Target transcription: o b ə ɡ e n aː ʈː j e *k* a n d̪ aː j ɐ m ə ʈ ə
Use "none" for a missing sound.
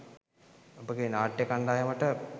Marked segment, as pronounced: k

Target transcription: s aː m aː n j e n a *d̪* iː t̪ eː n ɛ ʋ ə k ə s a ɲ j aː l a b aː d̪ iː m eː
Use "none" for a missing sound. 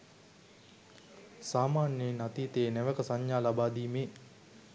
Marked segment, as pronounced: t̪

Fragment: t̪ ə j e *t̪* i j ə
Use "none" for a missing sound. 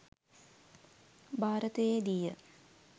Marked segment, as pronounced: d̪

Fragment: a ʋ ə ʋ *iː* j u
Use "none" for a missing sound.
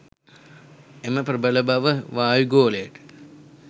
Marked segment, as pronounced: aː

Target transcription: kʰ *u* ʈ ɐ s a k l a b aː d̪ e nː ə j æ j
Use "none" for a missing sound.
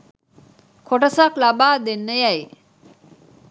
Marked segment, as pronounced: o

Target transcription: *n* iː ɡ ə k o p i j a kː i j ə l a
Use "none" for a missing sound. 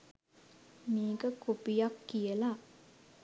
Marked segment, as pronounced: m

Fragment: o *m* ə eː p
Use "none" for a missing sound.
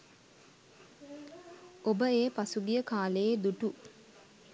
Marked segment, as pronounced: b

